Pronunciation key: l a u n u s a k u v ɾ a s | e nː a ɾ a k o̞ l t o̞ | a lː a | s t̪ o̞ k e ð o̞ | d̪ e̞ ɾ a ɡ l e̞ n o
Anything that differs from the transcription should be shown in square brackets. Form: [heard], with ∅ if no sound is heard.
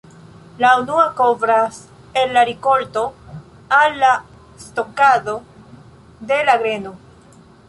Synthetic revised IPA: l a u n u [∅] a k [o] v ɾ a s | e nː a ɾ [i] k o̞ l t o̞ | a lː a | s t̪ o̞ k [a] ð o̞ | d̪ e̞ [l] a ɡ [ɾ] e̞ n o